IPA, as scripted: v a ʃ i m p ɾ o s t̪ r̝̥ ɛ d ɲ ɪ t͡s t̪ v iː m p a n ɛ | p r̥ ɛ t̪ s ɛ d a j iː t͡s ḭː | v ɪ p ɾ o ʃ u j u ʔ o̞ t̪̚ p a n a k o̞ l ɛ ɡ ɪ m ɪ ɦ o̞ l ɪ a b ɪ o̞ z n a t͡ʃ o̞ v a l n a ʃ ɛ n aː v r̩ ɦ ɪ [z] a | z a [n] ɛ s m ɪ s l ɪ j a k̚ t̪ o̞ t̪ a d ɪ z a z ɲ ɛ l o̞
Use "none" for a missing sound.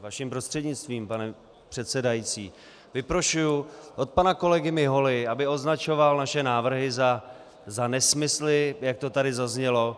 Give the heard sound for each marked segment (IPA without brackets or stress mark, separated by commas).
z, n